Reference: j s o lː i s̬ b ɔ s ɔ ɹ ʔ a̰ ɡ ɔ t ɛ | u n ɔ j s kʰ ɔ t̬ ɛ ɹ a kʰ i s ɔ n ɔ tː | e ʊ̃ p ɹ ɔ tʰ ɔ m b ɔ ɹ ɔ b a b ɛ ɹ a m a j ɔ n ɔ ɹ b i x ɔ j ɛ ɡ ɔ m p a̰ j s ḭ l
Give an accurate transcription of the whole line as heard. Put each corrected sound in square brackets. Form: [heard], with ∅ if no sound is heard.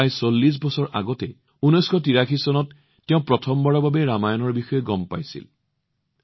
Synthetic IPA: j s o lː i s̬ b ɔ s ɔ ɹ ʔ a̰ ɡ ɔ t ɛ | u n ɔ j s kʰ ɔ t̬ [i] ɹ a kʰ i s ɔ n ɔ tː | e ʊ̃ p ɹ ɔ tʰ ɔ m b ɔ ɹ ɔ b a b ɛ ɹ a m a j ɔ n ɔ ɹ b i x ɔ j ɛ ɡ ɔ m p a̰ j s ḭ l